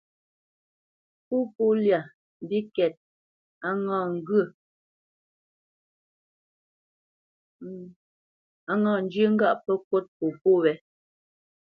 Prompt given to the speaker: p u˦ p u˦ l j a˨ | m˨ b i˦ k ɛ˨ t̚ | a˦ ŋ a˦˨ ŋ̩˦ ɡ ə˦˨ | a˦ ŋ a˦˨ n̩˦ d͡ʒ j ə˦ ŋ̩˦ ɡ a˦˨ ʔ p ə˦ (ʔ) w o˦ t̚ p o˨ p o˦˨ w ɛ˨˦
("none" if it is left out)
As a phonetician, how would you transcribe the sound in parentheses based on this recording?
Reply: k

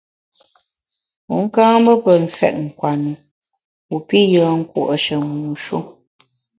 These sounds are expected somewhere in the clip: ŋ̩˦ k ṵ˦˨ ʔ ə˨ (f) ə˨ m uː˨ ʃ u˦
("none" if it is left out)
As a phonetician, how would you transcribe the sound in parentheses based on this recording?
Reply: ʃ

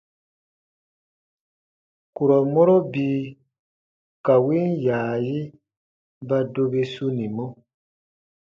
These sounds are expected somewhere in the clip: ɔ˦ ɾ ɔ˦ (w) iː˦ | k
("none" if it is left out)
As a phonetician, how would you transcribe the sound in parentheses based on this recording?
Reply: b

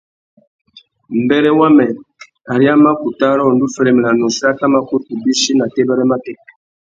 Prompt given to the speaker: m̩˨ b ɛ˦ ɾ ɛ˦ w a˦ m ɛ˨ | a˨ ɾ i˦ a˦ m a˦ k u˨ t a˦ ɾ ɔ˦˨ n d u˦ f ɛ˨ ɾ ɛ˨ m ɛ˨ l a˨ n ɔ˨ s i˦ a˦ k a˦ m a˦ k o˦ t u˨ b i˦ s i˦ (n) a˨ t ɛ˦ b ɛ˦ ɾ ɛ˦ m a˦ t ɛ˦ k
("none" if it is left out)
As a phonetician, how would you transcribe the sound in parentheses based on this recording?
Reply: n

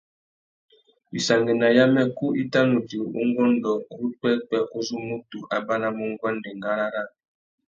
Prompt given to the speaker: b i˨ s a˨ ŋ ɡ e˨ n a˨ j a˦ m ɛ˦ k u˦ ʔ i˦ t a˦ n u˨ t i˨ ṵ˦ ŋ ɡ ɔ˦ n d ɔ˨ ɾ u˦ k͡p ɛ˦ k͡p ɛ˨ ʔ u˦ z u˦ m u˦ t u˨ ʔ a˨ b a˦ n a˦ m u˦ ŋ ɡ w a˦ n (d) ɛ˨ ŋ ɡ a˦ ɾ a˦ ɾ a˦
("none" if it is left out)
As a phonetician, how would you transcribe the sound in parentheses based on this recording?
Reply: d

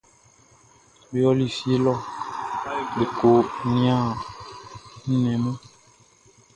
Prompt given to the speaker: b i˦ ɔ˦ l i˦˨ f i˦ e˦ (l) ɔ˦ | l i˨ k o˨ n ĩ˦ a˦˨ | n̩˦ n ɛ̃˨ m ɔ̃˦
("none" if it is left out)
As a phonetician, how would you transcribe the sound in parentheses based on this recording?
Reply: l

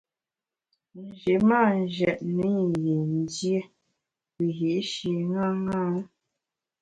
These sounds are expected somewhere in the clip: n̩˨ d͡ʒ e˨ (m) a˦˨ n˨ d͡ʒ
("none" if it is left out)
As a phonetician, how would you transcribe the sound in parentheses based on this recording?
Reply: m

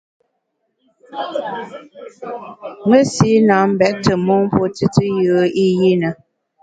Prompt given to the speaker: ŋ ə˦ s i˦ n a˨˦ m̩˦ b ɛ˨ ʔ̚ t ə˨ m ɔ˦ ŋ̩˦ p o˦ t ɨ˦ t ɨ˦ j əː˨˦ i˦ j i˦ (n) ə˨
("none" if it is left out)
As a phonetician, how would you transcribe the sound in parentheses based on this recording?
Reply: n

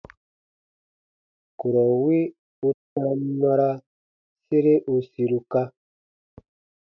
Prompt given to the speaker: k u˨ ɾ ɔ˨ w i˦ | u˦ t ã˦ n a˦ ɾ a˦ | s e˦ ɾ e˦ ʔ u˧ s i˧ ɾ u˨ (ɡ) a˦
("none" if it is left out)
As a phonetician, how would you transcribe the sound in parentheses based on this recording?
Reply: k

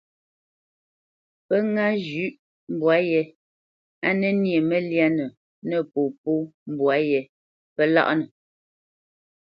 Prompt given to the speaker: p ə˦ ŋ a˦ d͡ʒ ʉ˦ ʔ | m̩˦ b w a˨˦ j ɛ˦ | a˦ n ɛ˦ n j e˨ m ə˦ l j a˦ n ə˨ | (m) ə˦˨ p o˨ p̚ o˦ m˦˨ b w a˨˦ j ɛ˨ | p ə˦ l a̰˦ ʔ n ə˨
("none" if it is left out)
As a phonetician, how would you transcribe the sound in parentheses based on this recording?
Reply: n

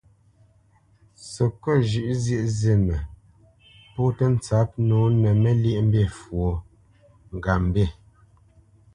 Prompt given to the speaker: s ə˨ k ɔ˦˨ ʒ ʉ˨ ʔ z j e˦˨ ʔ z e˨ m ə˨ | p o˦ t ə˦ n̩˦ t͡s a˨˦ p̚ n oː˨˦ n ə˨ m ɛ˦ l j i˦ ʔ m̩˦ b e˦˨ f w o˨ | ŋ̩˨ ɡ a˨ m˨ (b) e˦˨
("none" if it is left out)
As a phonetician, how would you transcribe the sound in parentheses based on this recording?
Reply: b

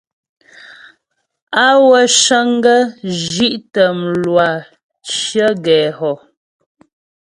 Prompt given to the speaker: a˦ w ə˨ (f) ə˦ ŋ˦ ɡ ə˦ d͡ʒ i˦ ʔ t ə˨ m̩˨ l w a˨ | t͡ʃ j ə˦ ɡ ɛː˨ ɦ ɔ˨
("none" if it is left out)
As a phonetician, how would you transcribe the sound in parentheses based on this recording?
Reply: ʃ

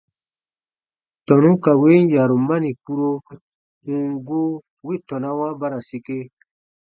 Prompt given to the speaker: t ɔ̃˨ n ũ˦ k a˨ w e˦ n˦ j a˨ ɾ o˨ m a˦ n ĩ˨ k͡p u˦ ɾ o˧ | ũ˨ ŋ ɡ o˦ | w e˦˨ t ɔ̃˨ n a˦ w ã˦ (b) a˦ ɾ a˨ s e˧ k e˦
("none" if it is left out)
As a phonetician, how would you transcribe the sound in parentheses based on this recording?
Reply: b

